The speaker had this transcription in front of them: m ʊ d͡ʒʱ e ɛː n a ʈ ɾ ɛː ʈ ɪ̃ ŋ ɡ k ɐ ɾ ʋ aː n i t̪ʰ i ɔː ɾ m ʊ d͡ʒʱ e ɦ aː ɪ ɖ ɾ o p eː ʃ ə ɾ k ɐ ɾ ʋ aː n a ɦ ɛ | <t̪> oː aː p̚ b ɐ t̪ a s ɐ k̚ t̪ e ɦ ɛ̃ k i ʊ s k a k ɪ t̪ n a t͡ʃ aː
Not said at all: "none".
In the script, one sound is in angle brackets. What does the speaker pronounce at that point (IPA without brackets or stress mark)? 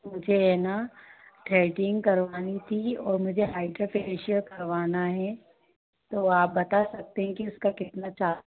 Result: t̪